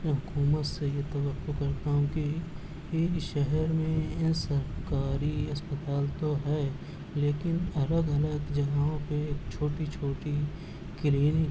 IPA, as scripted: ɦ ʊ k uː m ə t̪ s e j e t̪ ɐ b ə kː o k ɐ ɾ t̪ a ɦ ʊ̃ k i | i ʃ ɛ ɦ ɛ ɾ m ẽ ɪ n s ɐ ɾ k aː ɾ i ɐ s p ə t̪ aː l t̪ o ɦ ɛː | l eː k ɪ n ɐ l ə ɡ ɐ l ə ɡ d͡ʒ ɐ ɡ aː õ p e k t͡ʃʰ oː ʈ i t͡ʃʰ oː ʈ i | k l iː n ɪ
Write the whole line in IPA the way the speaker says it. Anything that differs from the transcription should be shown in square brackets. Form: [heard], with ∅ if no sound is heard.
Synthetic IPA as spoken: ɦ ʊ k uː m ə t̪ s e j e t̪ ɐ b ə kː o k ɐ ɾ t̪ a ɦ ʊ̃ k i | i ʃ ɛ ɦ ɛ ɾ m ẽ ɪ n s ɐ ɾ k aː ɾ i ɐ s p ə t̪ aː l t̪ o ɦ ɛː | l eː k ɪ n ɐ l ə ɡ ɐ l ə ɡ d͡ʒ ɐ ɡ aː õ p e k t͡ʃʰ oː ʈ i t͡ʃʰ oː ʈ i | k l iː n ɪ